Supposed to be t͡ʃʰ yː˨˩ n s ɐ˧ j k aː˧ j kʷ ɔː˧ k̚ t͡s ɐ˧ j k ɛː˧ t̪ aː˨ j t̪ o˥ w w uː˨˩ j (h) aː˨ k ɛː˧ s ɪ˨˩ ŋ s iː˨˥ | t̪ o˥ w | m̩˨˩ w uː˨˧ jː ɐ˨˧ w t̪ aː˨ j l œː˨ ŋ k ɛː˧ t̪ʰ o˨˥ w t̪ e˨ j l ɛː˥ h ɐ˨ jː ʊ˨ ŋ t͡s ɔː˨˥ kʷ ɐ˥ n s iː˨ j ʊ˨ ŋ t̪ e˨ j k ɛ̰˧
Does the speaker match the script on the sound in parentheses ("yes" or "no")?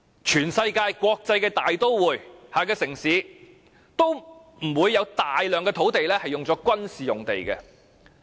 yes